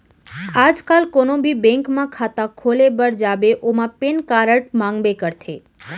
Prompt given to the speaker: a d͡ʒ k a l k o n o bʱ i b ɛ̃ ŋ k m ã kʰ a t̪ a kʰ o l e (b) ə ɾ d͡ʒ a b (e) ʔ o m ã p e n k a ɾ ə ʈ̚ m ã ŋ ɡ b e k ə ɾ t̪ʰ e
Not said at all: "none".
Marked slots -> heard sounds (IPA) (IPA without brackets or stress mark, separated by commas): b, e